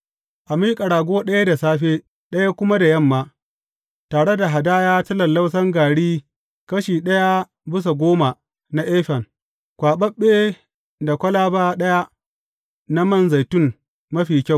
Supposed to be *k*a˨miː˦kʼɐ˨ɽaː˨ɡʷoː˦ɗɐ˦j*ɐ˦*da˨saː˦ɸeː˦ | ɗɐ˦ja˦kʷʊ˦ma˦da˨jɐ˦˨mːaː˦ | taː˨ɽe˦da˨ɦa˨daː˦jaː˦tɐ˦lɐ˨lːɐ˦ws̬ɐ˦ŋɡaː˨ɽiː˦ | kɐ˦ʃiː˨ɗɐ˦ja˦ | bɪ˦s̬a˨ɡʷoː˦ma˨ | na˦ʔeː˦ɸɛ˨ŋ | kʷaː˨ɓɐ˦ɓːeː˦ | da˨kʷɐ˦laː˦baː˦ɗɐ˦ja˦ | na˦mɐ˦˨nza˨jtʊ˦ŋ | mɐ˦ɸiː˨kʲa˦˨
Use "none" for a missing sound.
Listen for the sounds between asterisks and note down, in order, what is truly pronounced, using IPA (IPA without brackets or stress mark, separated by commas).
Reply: ʔ, a˦